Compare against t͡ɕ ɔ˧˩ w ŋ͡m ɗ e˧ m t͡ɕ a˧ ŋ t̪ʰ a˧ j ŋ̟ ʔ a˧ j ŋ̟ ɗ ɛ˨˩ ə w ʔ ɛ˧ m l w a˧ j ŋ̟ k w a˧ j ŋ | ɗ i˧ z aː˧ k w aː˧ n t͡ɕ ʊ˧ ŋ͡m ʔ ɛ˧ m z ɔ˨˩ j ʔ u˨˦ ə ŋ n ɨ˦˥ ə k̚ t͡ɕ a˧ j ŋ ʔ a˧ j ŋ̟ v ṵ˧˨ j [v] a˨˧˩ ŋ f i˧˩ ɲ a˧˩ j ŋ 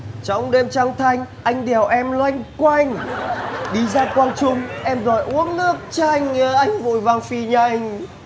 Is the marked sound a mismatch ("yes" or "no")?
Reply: no